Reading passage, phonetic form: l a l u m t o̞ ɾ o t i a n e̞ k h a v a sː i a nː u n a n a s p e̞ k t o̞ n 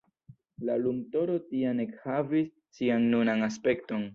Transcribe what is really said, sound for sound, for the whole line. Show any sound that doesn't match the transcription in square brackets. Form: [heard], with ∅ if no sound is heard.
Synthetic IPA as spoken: l a l u m t o̞ ɾ o t i a n e̞ k h a v [i] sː i a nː u n a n a s p e̞ k t o̞ n